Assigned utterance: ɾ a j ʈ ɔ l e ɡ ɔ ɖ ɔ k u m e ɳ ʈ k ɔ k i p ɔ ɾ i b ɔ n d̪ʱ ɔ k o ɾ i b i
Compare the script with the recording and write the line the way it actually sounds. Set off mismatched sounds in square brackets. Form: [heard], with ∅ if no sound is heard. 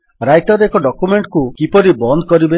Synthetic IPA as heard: ɾ a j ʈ ɔ [ɾ] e [k] ɔ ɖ ɔ k u m e ɳ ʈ k [u] k i p ɔ ɾ i b ɔ n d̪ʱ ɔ k [ɔ] ɾ i b [e]